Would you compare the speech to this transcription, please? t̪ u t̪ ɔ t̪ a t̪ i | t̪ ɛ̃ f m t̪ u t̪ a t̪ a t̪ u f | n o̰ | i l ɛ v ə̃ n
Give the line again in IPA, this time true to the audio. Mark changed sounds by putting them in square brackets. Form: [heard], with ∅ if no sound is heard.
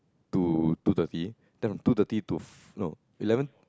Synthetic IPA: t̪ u t̪ [u] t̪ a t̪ i | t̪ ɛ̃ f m t̪ u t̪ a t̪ [i] t̪ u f | n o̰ | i l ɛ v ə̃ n

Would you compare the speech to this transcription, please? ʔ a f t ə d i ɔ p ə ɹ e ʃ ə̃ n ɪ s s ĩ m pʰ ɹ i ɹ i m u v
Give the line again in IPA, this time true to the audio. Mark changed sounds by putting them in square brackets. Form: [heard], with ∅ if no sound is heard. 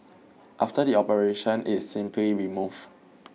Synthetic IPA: ʔ a f t ə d i ɔ p ə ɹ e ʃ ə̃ n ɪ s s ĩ m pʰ [l] i ɹ i m u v

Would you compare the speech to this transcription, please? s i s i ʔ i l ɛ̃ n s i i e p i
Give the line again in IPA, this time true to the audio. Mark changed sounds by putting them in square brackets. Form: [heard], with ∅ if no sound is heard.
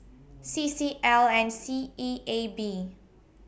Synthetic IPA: s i s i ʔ [ɛ] l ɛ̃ n s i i e [b] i

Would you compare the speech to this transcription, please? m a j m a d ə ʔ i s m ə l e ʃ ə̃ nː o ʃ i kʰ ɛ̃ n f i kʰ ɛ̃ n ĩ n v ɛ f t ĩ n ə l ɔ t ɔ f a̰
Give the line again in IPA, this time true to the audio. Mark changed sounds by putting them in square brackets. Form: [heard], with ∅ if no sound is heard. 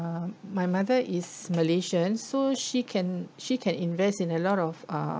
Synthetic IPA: m a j m a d ə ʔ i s m ə l e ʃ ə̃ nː o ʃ i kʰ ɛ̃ n [ʃ] i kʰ ɛ̃ n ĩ n v ɛ [s] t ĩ n ə l ɔ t ɔ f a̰

